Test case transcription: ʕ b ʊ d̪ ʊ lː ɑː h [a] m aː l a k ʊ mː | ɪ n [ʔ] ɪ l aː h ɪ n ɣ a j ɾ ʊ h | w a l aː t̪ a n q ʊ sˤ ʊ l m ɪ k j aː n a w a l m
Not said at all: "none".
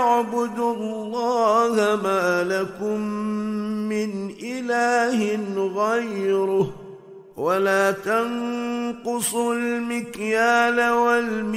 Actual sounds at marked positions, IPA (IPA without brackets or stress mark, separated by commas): a, ʔ